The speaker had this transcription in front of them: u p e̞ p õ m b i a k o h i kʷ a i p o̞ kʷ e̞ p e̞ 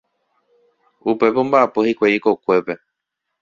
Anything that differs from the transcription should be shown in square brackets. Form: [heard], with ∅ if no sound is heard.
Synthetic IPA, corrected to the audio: u p e̞ p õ m b [a] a [p] o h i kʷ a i [k] o̞ kʷ e̞ p e̞